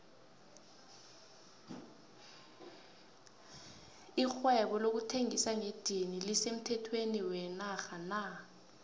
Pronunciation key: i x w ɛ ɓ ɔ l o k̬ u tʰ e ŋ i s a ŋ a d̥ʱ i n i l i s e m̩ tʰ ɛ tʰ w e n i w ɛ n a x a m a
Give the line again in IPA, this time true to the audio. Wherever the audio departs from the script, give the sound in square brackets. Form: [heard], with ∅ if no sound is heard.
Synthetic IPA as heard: i x w ɛ ɓ ɔ l o k̬ u tʰ e ŋ i s a ŋ [e] d̥ʱ i n i l i s e m̩ tʰ ɛ tʰ w e n i w ɛ n a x a [n] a